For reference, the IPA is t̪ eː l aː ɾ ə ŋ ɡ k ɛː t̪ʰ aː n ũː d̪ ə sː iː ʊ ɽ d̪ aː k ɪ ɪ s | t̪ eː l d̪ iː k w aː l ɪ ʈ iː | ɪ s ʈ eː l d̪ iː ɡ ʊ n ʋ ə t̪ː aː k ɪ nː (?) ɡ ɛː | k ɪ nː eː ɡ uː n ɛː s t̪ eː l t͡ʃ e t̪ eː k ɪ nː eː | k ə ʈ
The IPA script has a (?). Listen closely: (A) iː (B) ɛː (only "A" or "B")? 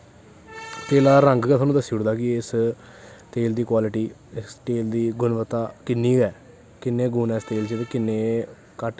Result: A